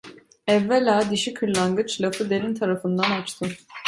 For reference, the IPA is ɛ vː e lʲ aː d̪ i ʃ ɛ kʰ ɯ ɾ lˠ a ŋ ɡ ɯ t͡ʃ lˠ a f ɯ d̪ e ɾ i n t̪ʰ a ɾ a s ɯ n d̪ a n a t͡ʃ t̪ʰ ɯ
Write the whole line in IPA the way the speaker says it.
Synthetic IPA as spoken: ɛ vː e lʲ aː d̪ i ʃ i kʰ ɯ ɾ lˠ a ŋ ɡ ɯ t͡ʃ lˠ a f ɯ d̪ e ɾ i n t̪ʰ a ɾ a f ɯ n d̪ a n a t͡ʃ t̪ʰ ɯ